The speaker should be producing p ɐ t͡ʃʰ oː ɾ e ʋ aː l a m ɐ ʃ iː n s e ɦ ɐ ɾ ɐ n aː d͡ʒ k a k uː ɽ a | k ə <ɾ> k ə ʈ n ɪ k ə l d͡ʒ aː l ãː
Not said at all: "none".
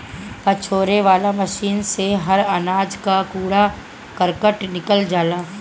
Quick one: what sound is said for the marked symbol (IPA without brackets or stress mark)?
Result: ɾ